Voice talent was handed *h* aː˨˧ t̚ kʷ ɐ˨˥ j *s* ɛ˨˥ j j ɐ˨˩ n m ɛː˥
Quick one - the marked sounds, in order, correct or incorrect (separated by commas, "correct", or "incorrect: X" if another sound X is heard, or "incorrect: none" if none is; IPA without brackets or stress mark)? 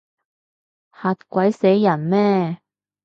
correct, correct